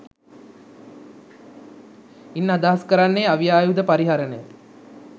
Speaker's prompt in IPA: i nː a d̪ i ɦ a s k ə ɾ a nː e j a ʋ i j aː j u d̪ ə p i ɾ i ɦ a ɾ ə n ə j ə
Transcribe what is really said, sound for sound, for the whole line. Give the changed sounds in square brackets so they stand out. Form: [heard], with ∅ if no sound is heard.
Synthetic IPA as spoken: i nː a d̪ [a] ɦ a s k ə ɾ a nː e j a ʋ i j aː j u d̪ ə p [a] ɾ i ɦ a ɾ ə n ə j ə